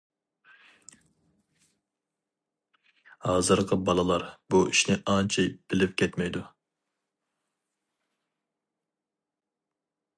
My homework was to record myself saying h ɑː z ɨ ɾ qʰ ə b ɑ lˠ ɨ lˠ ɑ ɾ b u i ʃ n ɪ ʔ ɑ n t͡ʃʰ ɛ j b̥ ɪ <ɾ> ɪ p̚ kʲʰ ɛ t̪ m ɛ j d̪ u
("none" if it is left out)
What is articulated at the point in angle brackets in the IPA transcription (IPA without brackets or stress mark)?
l